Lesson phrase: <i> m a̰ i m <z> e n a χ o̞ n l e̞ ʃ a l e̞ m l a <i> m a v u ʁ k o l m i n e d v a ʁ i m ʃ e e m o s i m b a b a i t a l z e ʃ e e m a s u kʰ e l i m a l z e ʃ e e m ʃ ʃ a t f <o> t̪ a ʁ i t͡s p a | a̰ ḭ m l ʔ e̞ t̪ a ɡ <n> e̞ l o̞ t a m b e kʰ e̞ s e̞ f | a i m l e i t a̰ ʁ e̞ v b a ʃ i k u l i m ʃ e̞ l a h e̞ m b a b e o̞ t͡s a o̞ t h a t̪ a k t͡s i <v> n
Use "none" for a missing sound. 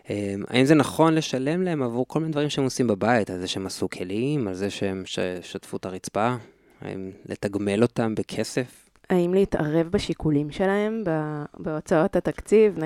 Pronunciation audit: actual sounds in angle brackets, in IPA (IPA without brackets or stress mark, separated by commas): e, z, e, u, m, v